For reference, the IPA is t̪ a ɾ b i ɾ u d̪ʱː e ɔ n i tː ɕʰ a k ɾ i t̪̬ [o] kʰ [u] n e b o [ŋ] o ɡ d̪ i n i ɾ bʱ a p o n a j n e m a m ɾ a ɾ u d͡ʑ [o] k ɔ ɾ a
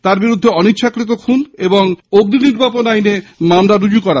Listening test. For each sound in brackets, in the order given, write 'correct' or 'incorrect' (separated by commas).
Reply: correct, correct, correct, incorrect